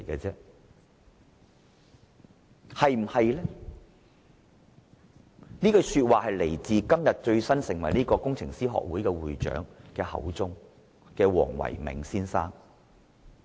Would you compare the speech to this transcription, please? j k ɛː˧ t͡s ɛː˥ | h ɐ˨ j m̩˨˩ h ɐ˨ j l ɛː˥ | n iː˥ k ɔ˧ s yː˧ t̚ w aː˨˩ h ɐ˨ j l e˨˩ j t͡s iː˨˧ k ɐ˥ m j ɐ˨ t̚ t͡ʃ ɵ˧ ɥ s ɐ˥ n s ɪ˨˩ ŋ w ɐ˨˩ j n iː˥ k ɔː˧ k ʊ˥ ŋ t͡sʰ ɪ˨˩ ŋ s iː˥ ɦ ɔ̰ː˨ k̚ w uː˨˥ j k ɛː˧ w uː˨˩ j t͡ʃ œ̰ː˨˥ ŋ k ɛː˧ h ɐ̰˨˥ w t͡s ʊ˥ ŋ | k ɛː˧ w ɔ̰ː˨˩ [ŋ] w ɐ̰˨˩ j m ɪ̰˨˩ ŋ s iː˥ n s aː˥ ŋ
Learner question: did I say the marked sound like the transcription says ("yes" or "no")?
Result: yes